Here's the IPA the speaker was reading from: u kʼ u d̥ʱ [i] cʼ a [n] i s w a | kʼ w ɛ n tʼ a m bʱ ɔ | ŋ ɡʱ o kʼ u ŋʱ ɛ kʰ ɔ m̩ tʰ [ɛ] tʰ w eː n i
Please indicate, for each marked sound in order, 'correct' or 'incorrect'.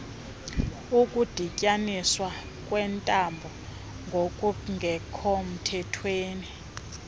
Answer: correct, correct, correct

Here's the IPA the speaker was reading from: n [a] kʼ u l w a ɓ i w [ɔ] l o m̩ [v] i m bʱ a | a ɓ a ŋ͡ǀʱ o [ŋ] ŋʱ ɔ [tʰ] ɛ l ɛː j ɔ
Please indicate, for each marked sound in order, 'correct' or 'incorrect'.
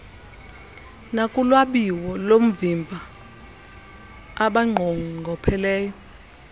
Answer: correct, correct, correct, correct, incorrect

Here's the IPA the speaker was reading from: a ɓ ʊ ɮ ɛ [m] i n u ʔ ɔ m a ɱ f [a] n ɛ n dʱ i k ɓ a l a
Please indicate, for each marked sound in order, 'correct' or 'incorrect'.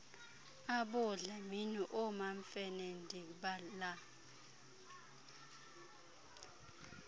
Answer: correct, incorrect

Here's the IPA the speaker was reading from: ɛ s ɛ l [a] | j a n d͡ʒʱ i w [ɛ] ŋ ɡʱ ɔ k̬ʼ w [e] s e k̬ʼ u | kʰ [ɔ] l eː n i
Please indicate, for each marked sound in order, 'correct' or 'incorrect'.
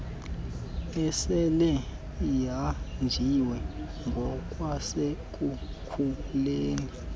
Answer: incorrect, correct, incorrect, incorrect

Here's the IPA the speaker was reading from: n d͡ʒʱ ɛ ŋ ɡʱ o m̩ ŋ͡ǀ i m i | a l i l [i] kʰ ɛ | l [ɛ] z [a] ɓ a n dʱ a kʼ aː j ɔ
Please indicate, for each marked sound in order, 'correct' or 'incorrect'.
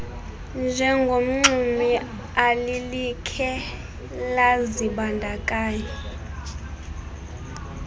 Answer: correct, incorrect, incorrect

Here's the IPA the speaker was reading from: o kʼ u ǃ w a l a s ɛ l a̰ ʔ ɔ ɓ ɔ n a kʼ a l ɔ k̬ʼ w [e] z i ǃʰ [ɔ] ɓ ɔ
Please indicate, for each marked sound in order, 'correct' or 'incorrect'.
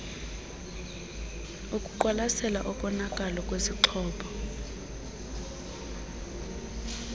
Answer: correct, incorrect

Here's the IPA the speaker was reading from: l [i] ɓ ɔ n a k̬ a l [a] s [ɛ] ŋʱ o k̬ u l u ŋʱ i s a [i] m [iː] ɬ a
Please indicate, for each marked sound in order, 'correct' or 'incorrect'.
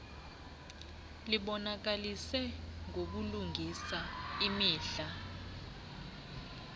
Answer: correct, incorrect, correct, correct, correct

